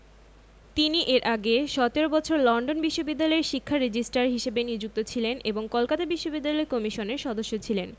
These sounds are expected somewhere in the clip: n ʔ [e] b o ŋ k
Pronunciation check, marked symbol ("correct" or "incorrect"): correct